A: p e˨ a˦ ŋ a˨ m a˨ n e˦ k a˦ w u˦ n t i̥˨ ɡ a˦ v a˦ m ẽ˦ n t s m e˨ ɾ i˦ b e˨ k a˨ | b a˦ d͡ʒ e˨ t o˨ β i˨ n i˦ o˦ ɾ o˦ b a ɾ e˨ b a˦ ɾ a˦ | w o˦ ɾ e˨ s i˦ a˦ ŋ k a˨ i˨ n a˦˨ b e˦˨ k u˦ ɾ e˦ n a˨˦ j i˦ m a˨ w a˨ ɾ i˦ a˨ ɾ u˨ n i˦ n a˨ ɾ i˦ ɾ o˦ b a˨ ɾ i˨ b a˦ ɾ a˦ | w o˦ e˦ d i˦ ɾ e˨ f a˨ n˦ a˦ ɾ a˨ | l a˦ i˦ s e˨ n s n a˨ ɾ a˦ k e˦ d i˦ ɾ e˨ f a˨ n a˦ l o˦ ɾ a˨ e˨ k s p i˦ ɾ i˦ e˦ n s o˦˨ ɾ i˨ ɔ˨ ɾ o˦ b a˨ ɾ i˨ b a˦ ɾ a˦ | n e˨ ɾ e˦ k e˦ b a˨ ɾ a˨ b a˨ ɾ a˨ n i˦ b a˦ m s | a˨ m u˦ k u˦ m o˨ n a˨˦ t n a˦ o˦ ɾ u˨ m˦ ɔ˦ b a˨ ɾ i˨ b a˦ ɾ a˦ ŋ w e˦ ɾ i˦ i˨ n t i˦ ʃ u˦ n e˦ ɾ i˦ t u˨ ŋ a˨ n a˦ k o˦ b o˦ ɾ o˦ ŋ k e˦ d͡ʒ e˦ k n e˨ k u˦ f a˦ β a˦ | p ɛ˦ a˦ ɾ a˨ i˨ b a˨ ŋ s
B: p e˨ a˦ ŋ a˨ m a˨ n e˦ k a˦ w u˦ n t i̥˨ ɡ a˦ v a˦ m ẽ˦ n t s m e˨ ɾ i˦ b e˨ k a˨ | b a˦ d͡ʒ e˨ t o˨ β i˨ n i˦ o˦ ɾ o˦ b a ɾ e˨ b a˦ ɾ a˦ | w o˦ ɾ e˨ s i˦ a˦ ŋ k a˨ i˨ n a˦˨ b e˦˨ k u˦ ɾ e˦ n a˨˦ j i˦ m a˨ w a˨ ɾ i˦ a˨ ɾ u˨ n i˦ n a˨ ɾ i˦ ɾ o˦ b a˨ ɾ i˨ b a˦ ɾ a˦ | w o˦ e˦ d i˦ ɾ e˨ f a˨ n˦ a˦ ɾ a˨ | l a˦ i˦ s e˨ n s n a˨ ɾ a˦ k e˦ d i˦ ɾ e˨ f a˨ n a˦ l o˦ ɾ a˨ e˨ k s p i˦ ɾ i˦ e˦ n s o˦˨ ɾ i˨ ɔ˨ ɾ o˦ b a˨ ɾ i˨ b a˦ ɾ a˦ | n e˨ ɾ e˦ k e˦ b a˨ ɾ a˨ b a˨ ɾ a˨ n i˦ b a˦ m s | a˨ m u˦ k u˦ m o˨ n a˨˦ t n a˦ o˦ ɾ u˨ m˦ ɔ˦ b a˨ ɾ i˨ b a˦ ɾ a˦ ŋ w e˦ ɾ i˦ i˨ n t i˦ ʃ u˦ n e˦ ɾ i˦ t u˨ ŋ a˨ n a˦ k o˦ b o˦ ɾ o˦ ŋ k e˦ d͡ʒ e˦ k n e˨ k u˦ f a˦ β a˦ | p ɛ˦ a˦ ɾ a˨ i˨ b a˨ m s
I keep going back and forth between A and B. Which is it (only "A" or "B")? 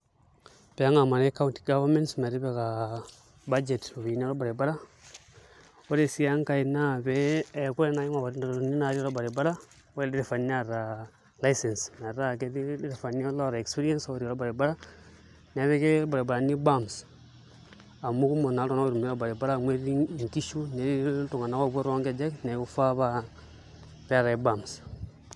B